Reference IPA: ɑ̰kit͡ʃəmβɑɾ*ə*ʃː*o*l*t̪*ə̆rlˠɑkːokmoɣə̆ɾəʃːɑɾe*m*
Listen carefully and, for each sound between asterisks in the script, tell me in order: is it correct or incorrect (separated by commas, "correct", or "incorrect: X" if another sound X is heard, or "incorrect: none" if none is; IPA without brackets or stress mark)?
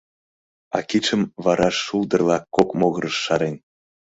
incorrect: ɑ, incorrect: u, incorrect: d̪, incorrect: n